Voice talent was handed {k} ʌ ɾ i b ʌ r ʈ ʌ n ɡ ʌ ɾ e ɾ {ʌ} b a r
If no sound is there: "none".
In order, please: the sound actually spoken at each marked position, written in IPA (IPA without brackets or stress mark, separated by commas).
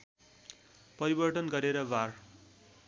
p, ʌ